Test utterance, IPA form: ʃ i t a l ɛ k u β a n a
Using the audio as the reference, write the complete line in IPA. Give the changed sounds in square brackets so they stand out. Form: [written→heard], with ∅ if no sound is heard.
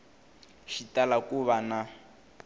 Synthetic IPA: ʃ i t a l [ɛ→a] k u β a n a